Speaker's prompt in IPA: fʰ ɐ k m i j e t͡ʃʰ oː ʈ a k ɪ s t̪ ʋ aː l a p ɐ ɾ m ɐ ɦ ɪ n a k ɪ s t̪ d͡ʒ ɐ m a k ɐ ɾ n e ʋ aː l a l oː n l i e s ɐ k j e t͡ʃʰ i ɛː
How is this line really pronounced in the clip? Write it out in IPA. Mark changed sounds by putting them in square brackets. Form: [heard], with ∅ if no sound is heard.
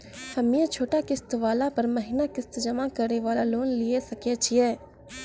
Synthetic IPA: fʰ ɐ [∅] m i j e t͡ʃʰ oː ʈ a k ɪ s t̪ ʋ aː l a p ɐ ɾ m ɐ ɦ ɪ n a k ɪ s t̪ d͡ʒ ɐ m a k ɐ ɾ n e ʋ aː l a l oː n l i e s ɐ k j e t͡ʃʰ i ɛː